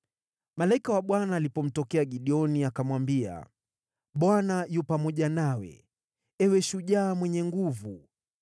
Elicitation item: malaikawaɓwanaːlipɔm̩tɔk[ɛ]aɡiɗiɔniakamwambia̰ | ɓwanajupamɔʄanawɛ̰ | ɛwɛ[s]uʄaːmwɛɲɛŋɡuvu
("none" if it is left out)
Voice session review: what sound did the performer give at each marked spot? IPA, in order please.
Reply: ɛ, ʃ

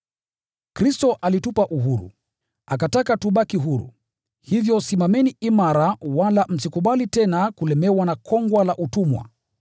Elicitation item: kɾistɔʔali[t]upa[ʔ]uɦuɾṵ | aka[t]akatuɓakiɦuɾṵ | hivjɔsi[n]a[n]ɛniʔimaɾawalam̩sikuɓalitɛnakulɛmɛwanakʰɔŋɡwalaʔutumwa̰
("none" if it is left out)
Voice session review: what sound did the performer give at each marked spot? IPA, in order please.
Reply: t, ʔ, t, m, m

